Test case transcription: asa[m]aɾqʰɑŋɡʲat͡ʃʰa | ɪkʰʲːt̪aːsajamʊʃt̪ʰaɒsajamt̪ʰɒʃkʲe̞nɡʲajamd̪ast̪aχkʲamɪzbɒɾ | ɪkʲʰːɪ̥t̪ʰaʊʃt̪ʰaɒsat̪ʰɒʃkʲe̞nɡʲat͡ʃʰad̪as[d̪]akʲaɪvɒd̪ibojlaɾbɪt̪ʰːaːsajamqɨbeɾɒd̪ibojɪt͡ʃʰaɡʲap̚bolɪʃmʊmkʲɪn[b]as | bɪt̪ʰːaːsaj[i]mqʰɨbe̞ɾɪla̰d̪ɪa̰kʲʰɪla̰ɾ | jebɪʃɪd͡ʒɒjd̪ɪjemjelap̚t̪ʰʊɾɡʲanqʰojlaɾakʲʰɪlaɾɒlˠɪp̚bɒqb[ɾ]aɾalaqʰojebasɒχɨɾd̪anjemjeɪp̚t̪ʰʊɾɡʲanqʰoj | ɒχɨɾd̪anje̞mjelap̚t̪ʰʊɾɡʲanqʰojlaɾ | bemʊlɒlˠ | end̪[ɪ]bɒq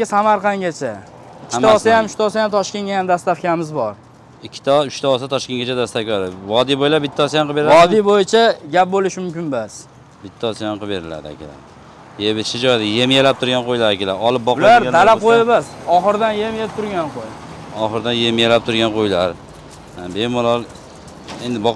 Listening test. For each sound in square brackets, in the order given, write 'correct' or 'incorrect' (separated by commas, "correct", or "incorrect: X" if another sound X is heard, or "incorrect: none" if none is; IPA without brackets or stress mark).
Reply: correct, incorrect: t̪, correct, incorrect: a, incorrect: l, correct